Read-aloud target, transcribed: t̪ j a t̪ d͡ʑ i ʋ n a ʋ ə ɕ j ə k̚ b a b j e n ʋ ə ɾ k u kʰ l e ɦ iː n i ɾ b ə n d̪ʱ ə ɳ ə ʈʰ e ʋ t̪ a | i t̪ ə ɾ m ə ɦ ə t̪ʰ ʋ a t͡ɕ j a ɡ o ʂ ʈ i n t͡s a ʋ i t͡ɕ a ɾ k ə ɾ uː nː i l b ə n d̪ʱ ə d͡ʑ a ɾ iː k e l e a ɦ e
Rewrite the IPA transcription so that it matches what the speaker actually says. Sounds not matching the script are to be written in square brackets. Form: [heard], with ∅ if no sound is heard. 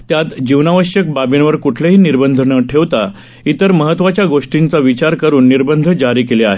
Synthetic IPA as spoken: t̪ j a t̪ d͡ʑ i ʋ n a ʋ ə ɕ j ə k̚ b a b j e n ʋ ə ɾ k u [ʈʰ] l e ɦ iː n i ɾ b ə n d̪ʱ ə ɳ ə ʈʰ e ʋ t̪ a | i t̪ ə ɾ m ə ɦ ə [t̪] ʋ a t͡ɕ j a ɡ o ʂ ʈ i n t͡s a ʋ i t͡ɕ a ɾ k ə ɾ uː nː i [ɾ] b ə n d̪ʱ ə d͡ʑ a ɾ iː k e l e a ɦ e

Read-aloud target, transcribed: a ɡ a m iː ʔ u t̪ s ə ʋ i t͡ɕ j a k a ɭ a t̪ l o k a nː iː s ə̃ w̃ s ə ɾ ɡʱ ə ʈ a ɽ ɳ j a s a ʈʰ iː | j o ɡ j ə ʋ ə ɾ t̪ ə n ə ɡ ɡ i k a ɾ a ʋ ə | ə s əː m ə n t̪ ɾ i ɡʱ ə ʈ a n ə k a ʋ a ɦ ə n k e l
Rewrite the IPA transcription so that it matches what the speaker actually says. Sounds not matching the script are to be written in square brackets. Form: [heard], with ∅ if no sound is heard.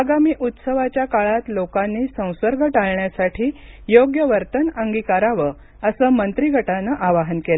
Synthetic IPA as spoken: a ɡ a m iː ʔ u t̪ s ə ʋ [a] t͡ɕ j a k a ɭ a t̪ l o k a nː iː s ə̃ w̃ s ə ɾ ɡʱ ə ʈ a [ɭ] ɳ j a s a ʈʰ iː | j o ɡ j ə ʋ ə ɾ t̪ ə n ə [ŋ] ɡ i k a ɾ a ʋ ə | ə s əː m ə n t̪ ɾ i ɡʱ ə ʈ a n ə [ʔ] a ʋ a ɦ ə n k e l

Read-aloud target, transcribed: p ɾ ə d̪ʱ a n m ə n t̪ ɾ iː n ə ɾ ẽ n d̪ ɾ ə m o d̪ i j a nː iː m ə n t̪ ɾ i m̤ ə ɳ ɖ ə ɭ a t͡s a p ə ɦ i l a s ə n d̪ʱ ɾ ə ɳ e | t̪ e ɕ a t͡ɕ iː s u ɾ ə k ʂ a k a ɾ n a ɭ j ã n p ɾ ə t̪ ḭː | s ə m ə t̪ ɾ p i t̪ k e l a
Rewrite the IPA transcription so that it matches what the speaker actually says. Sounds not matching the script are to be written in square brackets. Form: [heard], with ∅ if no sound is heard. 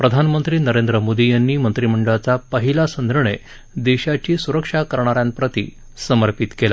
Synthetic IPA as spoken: p ɾ ə d̪ʱ a n m ə n t̪ ɾ iː n ə ɾ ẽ n d̪ ɾ ə m o d̪ i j a nː iː m ə n t̪ ɾ i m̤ ə ɳ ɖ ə ɭ a t͡s a p ə ɦ i l a s ə n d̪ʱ ɾ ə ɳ e | [d̪] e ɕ a t͡ɕ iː s u ɾ ə k ʂ a k [ə] ɾ [ɳ] a [ɾ] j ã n p ɾ ə t̪ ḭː | s ə m ə [∅] ɾ p i t̪ k e l a

